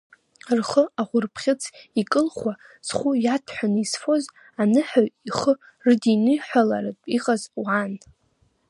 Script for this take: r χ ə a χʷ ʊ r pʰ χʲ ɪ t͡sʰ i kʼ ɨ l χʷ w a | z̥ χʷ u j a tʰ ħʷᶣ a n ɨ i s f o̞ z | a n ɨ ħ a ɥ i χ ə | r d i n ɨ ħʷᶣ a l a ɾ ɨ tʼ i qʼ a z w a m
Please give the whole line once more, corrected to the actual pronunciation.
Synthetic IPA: r χ ə a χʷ ʊ r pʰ χʲ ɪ t͡sʰ i kʼ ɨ l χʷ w a | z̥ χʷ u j a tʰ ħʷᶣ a n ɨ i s f o̞ z | a n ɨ ħ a ɥ i χ ə | r d i n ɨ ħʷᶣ a l a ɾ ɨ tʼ i qʼ a z w a n